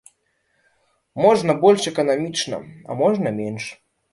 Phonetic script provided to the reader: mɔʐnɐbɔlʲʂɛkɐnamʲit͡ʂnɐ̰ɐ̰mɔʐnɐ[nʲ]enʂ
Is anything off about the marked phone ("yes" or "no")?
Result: yes